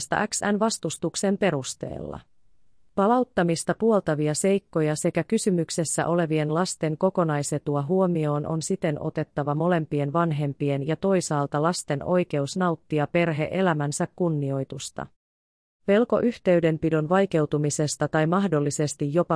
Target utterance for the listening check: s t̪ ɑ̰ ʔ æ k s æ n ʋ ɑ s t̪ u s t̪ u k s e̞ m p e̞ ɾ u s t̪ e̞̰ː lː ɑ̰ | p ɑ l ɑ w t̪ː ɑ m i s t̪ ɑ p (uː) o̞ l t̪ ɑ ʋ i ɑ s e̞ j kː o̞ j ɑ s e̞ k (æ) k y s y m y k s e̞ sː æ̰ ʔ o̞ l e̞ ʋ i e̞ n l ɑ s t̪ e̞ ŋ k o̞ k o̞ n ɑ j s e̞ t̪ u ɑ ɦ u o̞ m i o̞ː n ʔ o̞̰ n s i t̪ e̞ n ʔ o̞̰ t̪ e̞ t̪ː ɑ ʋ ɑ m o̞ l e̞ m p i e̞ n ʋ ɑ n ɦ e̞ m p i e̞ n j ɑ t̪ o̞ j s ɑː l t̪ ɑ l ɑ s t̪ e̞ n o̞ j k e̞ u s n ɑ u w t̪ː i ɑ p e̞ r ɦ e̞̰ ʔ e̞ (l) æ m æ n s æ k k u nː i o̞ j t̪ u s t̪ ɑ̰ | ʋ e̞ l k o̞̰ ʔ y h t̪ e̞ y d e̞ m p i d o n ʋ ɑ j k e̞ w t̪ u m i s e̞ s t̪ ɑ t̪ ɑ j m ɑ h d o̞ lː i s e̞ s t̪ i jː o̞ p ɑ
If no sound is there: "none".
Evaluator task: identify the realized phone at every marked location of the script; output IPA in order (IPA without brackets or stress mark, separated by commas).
u, æ, l